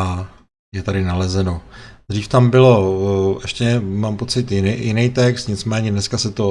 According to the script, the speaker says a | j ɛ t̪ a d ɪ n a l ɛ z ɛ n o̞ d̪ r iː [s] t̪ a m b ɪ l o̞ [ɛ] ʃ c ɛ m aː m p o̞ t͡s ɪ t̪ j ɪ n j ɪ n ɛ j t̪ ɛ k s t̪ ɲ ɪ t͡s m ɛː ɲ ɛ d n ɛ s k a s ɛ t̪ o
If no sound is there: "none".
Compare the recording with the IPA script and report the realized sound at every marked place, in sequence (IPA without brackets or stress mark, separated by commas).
f, ɛ